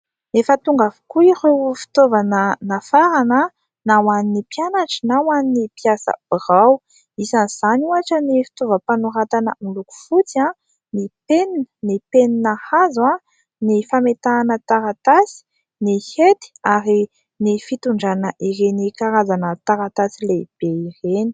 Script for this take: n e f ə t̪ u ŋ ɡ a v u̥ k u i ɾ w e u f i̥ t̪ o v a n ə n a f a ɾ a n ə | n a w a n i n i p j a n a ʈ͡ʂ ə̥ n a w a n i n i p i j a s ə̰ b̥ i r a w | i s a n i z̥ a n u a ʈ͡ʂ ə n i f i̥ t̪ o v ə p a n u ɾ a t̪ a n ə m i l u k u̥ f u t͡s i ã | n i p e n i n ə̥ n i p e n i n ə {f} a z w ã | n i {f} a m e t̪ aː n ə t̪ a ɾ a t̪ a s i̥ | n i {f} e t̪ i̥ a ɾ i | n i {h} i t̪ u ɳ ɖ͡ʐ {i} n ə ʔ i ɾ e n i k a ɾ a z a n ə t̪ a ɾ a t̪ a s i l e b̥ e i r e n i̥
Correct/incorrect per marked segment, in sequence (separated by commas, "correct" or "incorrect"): incorrect, correct, incorrect, incorrect, incorrect